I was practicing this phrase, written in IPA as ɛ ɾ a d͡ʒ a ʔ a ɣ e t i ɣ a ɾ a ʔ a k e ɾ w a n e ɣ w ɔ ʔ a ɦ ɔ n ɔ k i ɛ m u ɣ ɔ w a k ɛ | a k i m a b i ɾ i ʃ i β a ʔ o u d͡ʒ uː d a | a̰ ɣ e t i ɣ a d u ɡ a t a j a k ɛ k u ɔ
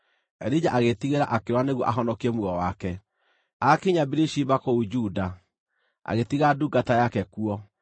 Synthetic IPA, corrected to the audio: ɛ ɾ i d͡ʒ a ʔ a ɣ e t i ɣ e ɾ a ʔ a k e ɾ w a n e ɣ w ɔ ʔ a ɦ ɔ n ɔ k i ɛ m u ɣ ɔ w a k ɛ | a k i ɲ a b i ɾ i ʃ i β a k o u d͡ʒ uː d a | a̰ ɣ e t i ɣ a d u ɡ a t a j a k ɛ k u ɔ

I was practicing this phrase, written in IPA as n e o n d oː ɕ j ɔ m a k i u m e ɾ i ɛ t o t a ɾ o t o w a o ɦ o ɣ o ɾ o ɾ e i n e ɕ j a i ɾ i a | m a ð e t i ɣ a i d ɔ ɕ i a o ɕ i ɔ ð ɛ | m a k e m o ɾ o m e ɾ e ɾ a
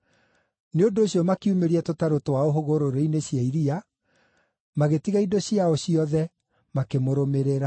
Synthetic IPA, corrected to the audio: n e o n d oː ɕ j ɔ m a k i u m e ɾ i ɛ t o t a ɾ o t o w a o ɦ o ɣ o ɾ o ɾ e i n e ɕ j a i ɾ i a | m a ɣ e t i ɣ a i d o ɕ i a o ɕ i ɔ ð ɛ | m a k e m o ɾ o m e ɾ e ɾ a

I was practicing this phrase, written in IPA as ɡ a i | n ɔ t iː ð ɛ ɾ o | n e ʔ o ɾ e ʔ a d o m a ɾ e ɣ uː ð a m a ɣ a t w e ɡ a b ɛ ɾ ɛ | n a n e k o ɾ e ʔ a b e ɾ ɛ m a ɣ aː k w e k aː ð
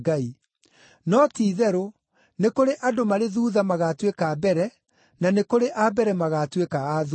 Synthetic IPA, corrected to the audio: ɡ a i | n ɔ t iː ð ɛ ɾ o | n e k o ɾ e ʔ a d o m a ɾ e ð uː ð a m a ɣ a t w e k a b ɛ ɾ ɛ | n a n e k o ɾ e ʔ a b ɛ ɾ ɛ m a ɣ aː t w e k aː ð

